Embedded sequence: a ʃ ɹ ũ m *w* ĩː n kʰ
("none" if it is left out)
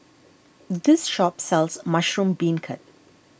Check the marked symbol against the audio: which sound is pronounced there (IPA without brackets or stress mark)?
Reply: b